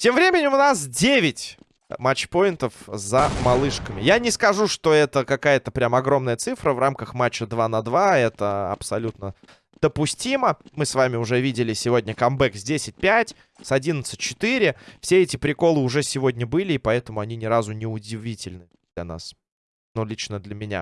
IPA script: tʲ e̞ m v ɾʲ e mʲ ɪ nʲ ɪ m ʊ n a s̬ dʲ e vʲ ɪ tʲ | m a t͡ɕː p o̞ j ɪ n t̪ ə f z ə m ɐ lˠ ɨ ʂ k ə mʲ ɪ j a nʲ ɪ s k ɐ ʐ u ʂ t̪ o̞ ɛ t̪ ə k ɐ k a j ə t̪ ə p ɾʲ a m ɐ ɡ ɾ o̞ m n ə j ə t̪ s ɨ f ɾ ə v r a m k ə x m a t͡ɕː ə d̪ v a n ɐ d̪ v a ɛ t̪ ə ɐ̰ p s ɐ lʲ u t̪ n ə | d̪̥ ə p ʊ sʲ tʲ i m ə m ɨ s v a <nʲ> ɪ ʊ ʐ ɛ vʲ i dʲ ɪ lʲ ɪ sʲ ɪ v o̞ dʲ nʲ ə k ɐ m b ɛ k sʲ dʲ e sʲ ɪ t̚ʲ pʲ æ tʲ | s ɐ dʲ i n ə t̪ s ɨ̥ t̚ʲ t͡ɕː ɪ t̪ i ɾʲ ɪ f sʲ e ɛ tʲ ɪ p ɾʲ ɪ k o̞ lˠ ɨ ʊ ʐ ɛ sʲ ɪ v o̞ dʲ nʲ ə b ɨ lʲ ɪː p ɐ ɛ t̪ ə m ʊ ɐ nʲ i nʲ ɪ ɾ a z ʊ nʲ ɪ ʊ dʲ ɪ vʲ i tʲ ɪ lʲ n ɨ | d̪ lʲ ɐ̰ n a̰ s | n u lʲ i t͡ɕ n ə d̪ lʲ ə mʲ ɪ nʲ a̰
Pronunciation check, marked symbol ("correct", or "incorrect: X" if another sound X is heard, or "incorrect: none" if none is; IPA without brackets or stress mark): incorrect: mʲ